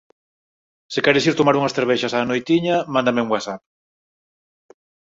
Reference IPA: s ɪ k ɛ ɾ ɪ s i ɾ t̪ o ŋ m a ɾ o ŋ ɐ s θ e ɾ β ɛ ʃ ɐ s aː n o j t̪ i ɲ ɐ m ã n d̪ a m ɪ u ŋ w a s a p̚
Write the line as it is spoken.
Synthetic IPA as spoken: s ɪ k ɛ ɾ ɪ s i ɾ t̪ o m a ɾ u ŋ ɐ s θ e ɾ β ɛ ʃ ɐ s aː n o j t̪ i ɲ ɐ m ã n d̪ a m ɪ u ŋ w a s a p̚